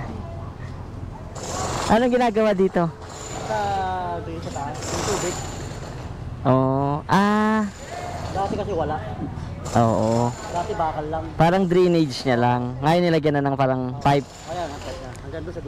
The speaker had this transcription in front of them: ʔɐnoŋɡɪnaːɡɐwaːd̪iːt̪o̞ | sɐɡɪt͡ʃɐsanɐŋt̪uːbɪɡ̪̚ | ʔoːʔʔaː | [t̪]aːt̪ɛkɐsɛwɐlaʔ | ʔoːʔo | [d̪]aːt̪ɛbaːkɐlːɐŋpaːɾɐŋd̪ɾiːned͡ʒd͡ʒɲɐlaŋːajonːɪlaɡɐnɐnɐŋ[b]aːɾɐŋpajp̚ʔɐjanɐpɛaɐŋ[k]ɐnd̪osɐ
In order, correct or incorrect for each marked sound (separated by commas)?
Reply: incorrect, correct, incorrect, incorrect